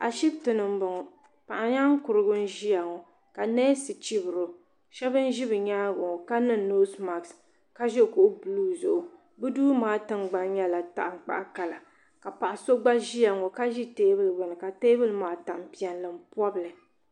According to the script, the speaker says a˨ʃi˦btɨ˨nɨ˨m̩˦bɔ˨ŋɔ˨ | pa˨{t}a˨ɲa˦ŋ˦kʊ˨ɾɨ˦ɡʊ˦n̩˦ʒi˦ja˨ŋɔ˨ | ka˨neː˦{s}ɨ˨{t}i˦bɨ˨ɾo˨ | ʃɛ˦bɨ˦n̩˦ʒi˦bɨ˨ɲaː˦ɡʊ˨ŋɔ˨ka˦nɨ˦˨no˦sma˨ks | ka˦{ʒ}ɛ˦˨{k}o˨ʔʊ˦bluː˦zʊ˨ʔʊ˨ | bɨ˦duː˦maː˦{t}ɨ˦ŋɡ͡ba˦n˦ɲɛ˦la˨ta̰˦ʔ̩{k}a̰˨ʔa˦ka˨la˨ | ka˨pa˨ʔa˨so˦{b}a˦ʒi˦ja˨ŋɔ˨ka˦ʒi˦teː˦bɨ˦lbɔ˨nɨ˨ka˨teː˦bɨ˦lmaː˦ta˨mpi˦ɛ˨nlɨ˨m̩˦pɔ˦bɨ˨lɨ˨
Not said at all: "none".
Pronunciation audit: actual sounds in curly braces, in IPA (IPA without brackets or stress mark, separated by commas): ʔ, s, t͡ʃ, ʒ, k, t, k͡p, ɡ͡b